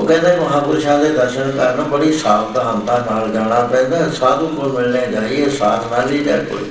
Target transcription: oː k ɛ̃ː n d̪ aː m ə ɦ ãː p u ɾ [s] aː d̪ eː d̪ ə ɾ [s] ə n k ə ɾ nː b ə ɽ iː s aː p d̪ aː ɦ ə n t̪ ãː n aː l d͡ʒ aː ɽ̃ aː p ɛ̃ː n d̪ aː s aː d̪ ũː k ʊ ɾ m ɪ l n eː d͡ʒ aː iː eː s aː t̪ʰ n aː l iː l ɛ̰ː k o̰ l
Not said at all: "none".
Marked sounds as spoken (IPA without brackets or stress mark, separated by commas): ʃ, ʃ